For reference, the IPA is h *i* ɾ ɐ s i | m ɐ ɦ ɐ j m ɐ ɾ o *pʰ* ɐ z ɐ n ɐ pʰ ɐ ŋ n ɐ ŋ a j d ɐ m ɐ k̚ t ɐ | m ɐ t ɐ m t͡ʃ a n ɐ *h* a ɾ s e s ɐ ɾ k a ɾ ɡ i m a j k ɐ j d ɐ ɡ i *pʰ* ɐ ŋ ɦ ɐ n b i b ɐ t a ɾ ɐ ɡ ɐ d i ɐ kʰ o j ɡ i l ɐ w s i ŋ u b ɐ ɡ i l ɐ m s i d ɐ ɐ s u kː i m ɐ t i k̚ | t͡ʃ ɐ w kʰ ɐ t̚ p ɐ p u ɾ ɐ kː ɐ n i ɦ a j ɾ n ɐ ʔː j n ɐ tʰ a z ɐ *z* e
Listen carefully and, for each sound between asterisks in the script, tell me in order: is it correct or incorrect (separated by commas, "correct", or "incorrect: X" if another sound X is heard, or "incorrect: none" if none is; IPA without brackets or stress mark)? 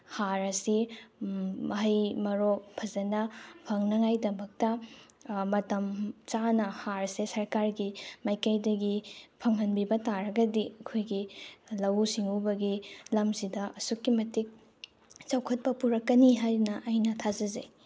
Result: incorrect: a, correct, correct, correct, correct